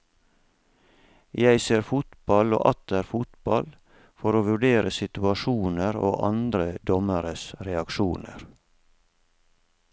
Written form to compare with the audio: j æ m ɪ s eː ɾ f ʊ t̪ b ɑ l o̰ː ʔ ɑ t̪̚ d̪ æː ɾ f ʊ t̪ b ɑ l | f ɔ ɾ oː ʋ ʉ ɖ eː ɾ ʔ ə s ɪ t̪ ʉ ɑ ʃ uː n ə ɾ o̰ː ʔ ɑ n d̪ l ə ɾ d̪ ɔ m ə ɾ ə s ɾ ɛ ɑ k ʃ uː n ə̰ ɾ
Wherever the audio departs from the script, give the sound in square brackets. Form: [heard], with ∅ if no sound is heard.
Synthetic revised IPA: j æ [∅] ɪ s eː ɾ f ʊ t̪ b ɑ l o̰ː ʔ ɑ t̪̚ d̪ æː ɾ f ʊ t̪ b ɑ l | f ɔ ɾ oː ʋ ʉ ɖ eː ɾ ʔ ə s ɪ t̪ ʉ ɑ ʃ uː n ə ɾ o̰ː ʔ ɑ n d̪ [ɾ] ə [∅] d̪ ɔ m ə ɾ ə s ɾ ɛ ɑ k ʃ uː n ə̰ ɾ

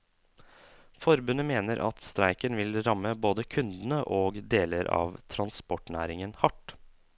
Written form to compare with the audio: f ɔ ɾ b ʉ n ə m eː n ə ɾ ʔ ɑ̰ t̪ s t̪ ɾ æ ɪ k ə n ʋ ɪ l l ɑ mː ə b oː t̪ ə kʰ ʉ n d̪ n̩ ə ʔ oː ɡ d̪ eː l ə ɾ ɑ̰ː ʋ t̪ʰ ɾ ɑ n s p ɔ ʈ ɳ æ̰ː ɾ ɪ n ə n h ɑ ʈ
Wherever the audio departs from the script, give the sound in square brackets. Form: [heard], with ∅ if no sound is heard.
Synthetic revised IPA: f ɔ ɾ b ʉ n ə m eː n ə ɾ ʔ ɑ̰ t̪ s t̪ ɾ æ ɪ k ə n ʋ ɪ l [ɾ] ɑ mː ə b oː [d̪] ə kʰ ʉ n d̪ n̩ ə ʔ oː ɡ d̪ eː l ə ɾ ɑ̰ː ʋ t̪ʰ ɾ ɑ n s p ɔ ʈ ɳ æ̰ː ɾ ɪ [ŋ] ə n h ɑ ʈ

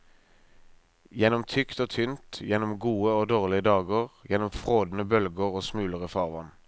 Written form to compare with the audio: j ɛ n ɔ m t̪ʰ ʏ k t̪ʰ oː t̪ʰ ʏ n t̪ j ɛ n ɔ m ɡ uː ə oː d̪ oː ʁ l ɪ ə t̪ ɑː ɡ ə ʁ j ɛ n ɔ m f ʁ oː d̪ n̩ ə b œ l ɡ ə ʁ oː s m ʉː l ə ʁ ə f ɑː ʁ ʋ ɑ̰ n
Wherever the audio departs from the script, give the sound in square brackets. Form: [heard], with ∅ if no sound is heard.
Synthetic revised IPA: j ɛ n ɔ m t̪ʰ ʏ k [t̪] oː t̪ʰ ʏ n t̪ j ɛ n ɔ m ɡ uː ə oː d̪ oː ʁ l ɪ ə [d̪] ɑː ɡ ə ʁ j ɛ n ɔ m f ʁ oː d̪ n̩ ə b œ l ɡ ə ʁ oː s m ʉː l ə ʁ ə f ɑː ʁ ʋ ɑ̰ n

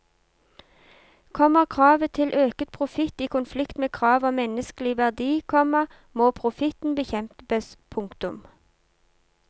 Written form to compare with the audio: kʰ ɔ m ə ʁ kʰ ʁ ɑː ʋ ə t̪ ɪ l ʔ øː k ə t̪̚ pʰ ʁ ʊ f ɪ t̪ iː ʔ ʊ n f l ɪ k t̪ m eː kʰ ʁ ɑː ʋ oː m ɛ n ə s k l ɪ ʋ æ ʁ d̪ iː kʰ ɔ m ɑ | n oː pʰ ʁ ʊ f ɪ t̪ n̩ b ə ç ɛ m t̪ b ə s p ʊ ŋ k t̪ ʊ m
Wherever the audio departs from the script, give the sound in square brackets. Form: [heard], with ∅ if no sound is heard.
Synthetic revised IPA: kʰ ɔ m ə ʁ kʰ ʁ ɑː ʋ ə [t̪ʰ] ɪ l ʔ øː k ə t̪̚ pʰ ʁ ʊ f ɪ t̪ iː [k] ʊ n f l ɪ k t̪ m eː kʰ ʁ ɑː ʋ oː m ɛ n ə s k l ɪ ʋ æ ʁ d̪ iː kʰ ɔ m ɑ | [m] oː pʰ ʁ ʊ f ɪ t̪ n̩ b ə ç ɛ m t̪ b ə s [pʰ] ʊ ŋ k t̪ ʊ m

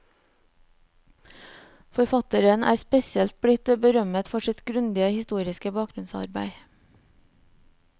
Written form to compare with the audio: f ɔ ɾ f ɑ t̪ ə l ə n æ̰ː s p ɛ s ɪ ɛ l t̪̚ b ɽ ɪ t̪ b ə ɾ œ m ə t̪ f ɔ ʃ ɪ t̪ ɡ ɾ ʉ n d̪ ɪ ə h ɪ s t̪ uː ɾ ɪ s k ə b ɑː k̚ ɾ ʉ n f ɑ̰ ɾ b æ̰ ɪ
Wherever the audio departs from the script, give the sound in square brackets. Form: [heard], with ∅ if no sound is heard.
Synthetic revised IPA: f ɔ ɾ f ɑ t̪ ə [ɾ] ə n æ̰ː s p ɛ s ɪ ɛ l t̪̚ b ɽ ɪ t̪ b ə ɾ œ m ə t̪ f ɔ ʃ ɪ t̪ ɡ ɾ ʉ n d̪ ɪ ə h ɪ s t̪ uː ɾ ɪ s k ə b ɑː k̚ ɾ ʉ n [s] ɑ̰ ɾ b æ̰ ɪ

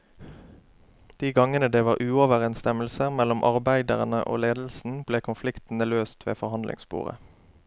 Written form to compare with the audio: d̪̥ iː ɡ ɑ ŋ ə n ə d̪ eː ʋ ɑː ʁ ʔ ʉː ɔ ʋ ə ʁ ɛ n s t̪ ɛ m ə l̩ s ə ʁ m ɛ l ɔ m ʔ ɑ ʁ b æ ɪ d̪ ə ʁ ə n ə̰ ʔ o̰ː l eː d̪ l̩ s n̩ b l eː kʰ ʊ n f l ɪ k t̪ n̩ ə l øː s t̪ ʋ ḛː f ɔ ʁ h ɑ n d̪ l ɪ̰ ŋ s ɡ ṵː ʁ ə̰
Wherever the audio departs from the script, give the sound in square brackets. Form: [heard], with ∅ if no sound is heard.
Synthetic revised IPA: d̪̥ iː ɡ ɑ ŋ ə n ə d̪ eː ʋ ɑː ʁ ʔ ʉː ɔ ʋ ə ʁ ɛ n s t̪ ɛ m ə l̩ s ə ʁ m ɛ l ɔ m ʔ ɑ ʁ b æ ɪ d̪ ə ʁ ə n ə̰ ʔ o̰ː l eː d̪ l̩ s n̩ b l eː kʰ ʊ n f l ɪ k t̪ n̩ ə l øː s t̪ ʋ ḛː f ɔ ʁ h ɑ n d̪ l ɪ̰ ŋ s [b] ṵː ʁ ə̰

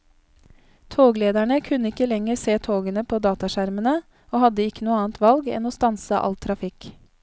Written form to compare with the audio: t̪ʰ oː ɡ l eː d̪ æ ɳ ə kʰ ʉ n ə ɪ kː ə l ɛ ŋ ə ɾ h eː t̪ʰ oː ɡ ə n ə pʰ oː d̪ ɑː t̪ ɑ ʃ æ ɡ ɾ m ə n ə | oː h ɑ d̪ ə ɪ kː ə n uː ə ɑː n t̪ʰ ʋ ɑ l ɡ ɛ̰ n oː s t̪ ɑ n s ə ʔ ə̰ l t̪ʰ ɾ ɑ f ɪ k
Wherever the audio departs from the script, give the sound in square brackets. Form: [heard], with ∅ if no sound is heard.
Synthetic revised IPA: t̪ʰ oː ɡ l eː d̪ æ ɳ ə kʰ ʉ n ə ɪ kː ə l ɛ ŋ ə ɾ [s] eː t̪ʰ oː ɡ ə n ə pʰ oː d̪ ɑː t̪ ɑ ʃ æ [∅] ɾ m ə n ə | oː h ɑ d̪ ə ɪ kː ə n uː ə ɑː n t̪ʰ ʋ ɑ l ɡ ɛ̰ n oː s t̪ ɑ n s ə ʔ [ɑ̰] l t̪ʰ ɾ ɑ f ɪ k

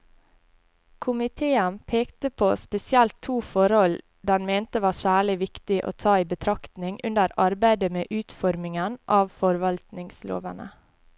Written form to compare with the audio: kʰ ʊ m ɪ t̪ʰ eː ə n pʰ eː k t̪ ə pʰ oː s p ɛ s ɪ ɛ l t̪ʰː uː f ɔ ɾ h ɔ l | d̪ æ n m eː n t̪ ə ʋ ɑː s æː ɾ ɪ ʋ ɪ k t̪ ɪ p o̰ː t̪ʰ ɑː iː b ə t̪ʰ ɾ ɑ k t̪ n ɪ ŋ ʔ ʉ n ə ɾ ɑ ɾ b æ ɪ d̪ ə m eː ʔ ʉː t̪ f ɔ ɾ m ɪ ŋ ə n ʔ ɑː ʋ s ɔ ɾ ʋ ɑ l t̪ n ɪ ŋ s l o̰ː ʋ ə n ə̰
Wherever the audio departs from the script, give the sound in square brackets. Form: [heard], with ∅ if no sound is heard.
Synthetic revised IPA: kʰ ʊ m ɪ t̪ʰ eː ə n pʰ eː k t̪ ə pʰ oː s p ɛ s ɪ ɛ l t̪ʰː uː f ɔ ɾ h ɔ l | d̪ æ n m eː n t̪ ə ʋ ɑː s æː [ɭ] ɪ ʋ ɪ k t̪ ɪ [ʔ] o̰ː t̪ʰ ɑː iː b ə t̪ʰ ɾ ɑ k t̪ n ɪ ŋ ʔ ʉ n ə ɾ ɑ ɾ b æ ɪ d̪ ə m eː ʔ ʉː t̪ f ɔ ɾ m ɪ ŋ ə n ʔ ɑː ʋ [f] ɔ ɾ ʋ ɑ l t̪ n ɪ ŋ s l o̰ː ʋ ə n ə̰

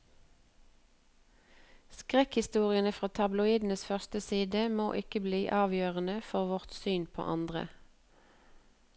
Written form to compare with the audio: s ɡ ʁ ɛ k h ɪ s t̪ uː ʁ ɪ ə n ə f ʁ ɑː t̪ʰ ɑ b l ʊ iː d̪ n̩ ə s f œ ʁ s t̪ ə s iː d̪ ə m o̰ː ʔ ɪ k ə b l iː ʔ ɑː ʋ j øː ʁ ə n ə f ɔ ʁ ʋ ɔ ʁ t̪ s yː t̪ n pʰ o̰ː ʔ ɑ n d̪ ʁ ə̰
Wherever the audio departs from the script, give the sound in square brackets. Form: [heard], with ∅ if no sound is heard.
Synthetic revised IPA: s [k] ʁ ɛ k h ɪ s t̪ uː ʁ ɪ ə n ə f ʁ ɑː t̪ʰ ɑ b l ʊ iː d̪ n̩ ə s f œ ʁ s t̪ ə s iː d̪ ə m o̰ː ʔ ɪ k ə b l iː ʔ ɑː ʋ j øː ʁ ə n ə f ɔ ʁ ʋ ɔ ʁ t̪ s yː [∅] n pʰ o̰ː ʔ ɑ n d̪ ʁ ə̰

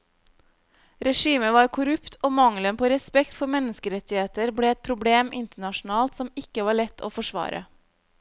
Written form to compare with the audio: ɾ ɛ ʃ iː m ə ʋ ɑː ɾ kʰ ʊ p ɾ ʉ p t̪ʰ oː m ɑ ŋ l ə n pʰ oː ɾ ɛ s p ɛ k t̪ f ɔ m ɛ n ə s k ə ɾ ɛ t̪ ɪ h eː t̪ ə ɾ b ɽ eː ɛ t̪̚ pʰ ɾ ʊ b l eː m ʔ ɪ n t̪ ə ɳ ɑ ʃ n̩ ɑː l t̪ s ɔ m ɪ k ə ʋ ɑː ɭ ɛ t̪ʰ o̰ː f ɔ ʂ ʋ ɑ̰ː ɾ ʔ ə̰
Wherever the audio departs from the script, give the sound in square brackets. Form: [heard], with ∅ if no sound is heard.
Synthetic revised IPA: ɾ ɛ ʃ iː m ə ʋ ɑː ɾ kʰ ʊ [∅] ɾ ʉ p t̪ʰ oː m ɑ ŋ l ə n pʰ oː ɾ ɛ s p ɛ k t̪ f ɔ m ɛ n ə s k ə ɾ ɛ t̪ ɪ h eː t̪ ə ɾ b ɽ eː ɛ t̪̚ pʰ ɾ ʊ b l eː m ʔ ɪ n t̪ ə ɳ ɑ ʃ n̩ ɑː l t̪ s ɔ m ɪ k ə ʋ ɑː ɭ ɛ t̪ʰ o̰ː f ɔ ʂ ʋ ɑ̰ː ɾ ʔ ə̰

